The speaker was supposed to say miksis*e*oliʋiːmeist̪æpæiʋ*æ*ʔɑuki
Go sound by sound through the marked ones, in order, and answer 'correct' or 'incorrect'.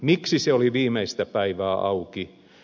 correct, incorrect: æː

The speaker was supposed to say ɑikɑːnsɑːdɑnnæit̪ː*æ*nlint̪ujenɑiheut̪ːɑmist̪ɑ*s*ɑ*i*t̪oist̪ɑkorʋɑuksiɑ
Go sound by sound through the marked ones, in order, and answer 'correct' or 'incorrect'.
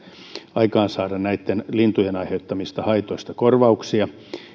incorrect: e, incorrect: h, correct

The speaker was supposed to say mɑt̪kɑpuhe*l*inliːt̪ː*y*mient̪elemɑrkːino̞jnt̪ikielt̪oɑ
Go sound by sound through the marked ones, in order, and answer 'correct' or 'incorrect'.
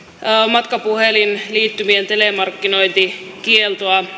correct, correct

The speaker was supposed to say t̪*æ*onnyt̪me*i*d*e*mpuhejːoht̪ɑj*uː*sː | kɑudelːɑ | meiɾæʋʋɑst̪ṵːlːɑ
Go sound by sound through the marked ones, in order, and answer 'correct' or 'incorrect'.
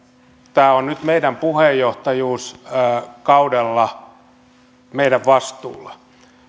incorrect: æː, correct, incorrect: æ, correct

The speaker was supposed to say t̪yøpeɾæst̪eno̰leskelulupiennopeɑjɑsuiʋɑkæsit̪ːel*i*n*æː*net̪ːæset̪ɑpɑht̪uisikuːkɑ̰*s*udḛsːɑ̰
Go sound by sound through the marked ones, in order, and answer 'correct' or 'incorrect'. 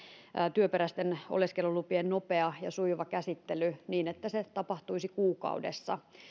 incorrect: y, incorrect: iː, incorrect: none

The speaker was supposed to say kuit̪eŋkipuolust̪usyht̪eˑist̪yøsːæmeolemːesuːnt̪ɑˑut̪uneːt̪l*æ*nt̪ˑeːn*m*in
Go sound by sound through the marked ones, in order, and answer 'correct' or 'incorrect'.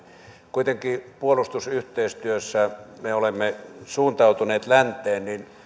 correct, incorrect: n

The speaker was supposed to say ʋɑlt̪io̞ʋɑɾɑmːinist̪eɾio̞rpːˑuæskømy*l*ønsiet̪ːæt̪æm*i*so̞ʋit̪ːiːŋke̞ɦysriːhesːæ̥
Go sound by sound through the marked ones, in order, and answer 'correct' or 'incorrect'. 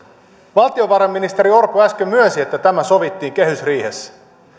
incorrect: none, incorrect: æ

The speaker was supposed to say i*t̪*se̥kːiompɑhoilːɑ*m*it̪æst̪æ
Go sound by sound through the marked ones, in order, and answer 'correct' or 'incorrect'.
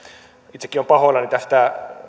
correct, incorrect: n

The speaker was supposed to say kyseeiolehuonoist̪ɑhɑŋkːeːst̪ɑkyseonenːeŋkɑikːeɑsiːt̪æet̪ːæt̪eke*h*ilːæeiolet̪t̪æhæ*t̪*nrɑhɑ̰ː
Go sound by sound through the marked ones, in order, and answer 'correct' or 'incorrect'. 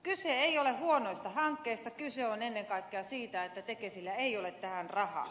incorrect: s, incorrect: none

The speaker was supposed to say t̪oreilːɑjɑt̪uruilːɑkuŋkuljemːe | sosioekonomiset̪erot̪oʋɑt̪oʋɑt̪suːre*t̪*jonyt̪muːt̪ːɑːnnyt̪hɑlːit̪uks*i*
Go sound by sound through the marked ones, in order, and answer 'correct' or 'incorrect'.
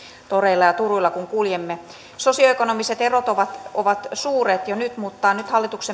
correct, incorrect: e

